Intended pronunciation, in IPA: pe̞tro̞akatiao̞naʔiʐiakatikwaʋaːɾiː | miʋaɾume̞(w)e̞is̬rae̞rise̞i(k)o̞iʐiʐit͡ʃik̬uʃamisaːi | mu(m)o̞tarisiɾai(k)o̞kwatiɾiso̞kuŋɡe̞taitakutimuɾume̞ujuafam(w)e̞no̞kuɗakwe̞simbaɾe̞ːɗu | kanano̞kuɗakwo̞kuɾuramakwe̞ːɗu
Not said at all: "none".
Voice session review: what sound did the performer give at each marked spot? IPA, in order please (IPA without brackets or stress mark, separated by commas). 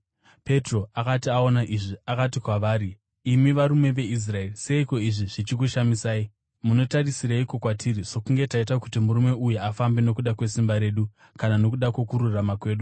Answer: ʋ, k, n, k, b